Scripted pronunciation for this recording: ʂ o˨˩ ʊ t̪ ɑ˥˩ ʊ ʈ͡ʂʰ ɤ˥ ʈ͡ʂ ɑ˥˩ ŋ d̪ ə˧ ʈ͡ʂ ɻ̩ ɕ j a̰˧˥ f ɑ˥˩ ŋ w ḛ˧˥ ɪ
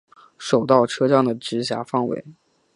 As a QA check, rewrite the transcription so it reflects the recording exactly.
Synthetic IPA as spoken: ʂ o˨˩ ʊ t̪ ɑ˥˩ ʊ ʈ͡ʂʰ ɤ˥ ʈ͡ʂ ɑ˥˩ ŋ d̪ ə˩ ʈ͡ʂ ɻ̩ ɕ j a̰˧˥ f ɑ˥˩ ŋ w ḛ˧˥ ɪ